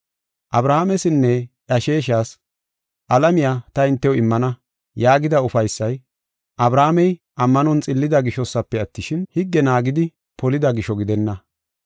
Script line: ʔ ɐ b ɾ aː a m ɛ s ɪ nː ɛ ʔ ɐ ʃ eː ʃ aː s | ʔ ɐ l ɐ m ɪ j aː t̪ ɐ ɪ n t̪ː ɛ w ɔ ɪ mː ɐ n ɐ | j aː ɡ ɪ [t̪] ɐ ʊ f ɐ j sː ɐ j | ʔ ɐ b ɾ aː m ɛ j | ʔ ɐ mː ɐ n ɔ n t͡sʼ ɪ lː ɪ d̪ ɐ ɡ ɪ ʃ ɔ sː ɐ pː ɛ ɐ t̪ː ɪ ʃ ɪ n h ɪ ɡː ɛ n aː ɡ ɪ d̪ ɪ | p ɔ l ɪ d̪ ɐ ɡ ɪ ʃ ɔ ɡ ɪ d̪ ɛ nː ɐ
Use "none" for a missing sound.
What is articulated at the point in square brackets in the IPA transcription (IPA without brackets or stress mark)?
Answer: d̪